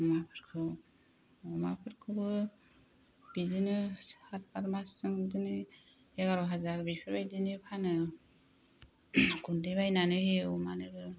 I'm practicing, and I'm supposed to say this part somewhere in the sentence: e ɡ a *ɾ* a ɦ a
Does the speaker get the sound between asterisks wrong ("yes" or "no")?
no